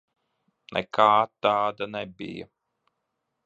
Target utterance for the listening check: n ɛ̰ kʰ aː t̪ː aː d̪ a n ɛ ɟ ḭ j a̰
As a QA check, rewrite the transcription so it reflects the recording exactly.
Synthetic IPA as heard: n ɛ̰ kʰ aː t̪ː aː d̪ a n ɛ b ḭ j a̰